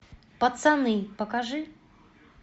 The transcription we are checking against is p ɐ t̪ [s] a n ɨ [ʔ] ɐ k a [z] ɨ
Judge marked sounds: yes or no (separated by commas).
yes, no, no